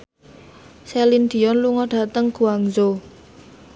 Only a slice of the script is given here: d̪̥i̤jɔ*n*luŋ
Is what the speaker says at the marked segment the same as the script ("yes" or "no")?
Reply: yes